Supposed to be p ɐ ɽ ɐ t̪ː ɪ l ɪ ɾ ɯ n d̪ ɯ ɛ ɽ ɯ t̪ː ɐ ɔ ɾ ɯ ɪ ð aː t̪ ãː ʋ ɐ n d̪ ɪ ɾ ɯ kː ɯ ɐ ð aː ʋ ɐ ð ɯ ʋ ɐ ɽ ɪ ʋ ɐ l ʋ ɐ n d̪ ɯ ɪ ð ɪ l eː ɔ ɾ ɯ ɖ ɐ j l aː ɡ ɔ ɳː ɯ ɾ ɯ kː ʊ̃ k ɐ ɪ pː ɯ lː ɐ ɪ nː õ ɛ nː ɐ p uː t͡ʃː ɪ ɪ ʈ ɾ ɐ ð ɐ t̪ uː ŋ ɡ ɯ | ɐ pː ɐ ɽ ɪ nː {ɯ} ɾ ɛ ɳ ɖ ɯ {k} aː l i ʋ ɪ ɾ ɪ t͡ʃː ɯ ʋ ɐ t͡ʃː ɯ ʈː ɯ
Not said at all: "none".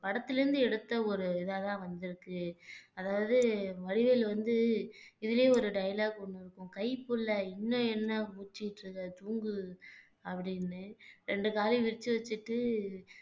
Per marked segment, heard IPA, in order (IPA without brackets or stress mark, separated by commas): ɯ, k